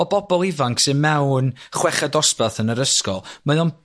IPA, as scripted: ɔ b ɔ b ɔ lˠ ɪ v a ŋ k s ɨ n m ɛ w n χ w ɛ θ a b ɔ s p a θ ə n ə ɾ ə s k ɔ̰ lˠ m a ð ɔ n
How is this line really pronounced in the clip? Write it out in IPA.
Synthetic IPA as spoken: ɔ b ɔ b ɔ lˠ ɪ v a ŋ k s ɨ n m ɛ w n χ w ɛ χ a d ɔ s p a θ ə n ə ɾ ə s k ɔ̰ lˠ m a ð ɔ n